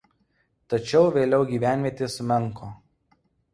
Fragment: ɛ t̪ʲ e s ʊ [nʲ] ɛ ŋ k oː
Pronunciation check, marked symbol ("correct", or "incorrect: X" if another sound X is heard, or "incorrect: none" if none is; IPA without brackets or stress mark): incorrect: mʲ